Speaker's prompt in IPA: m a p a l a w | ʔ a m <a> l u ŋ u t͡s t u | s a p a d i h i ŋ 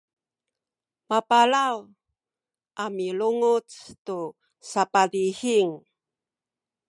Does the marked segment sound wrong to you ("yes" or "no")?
yes